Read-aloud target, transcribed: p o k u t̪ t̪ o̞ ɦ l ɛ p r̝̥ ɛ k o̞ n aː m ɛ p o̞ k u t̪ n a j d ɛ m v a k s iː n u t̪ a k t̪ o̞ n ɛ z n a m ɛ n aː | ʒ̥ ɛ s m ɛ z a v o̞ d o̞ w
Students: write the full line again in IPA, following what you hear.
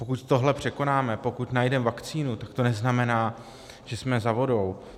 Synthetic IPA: p o k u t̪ t̪ o̞ ɦ l ɛ p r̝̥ ɛ k o̞ n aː m ɛ p o̞ k u t̪ n a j d ɛ m v a k t͡s iː n u t̪ a k t̪ o̞ n ɛ z n a m ɛ n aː | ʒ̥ ɛ s m ɛ z a v o̞ d o̞ w